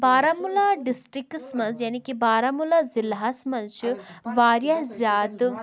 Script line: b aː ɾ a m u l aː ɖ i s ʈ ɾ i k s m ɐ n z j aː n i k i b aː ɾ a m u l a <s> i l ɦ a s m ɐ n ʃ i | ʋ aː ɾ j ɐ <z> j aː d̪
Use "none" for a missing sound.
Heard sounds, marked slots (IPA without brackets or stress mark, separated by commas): z, z